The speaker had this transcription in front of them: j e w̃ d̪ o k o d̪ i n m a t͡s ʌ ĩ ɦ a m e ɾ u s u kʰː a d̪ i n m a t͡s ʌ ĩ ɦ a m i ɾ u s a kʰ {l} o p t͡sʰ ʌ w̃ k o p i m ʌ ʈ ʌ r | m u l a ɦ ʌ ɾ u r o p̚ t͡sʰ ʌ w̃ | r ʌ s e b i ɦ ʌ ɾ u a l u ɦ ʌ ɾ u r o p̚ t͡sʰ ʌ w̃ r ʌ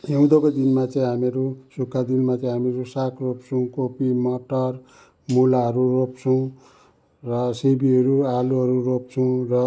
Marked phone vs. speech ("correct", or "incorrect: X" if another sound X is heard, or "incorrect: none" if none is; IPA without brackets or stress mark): incorrect: r